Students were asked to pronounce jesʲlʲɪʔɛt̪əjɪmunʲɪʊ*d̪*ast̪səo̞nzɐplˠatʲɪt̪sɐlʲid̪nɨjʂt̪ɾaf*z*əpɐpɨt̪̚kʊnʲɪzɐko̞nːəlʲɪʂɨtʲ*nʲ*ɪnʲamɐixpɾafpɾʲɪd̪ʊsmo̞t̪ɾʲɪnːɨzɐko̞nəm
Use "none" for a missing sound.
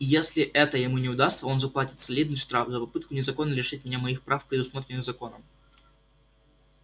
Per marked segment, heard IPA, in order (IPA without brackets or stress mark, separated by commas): d̪, z, mʲ